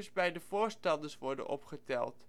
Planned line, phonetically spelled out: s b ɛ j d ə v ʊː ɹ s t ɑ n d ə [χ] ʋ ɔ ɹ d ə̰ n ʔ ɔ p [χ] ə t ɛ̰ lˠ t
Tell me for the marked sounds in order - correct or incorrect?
incorrect: s, correct

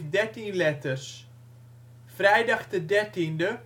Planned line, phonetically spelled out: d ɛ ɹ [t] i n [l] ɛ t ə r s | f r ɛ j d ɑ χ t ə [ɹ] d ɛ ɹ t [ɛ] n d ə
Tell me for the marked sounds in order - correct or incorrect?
correct, correct, incorrect: none, incorrect: i

